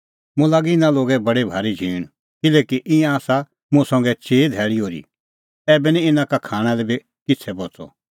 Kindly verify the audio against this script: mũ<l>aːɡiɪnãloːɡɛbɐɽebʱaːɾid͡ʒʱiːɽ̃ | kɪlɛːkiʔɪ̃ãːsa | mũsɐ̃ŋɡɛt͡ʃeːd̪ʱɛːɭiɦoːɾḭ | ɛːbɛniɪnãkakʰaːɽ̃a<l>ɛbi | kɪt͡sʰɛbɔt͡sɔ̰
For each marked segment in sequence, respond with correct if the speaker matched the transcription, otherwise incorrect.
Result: correct, correct

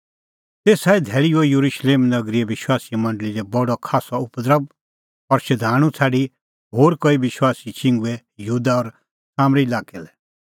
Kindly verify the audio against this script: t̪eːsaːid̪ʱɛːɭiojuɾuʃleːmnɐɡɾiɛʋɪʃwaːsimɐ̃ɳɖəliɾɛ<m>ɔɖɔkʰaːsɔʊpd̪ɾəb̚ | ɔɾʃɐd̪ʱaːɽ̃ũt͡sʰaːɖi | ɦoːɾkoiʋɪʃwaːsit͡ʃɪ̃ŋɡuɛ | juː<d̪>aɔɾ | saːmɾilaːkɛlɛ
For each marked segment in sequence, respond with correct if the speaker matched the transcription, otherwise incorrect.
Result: incorrect, correct

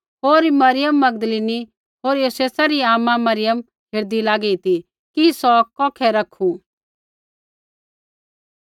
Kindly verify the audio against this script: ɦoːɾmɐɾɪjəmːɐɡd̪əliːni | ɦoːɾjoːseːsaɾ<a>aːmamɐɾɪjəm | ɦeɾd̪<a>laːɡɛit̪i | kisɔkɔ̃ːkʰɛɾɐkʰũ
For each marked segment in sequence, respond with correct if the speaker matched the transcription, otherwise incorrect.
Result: incorrect, incorrect

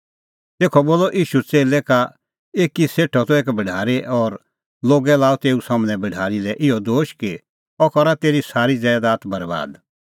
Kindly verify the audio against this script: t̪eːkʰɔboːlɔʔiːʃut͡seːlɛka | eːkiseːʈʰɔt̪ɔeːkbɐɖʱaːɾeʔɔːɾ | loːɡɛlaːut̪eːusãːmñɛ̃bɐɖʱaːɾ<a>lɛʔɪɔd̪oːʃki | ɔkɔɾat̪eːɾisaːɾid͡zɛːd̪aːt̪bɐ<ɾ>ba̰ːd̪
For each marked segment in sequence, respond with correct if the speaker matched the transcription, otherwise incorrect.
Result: incorrect, correct

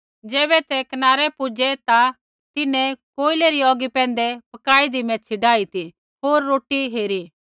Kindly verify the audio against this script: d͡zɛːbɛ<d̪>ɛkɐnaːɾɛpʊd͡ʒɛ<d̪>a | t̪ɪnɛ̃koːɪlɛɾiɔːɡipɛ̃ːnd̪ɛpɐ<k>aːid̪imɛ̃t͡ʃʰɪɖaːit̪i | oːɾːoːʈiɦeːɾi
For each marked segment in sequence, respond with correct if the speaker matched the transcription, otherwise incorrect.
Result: incorrect, incorrect, correct

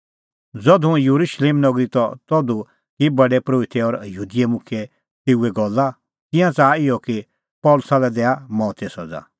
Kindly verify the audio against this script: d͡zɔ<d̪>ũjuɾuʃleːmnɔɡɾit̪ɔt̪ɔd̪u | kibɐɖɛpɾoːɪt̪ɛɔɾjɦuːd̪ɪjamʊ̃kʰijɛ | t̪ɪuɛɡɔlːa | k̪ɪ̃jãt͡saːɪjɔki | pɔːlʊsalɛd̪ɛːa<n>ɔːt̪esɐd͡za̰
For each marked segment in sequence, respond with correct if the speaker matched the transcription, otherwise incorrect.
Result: correct, incorrect

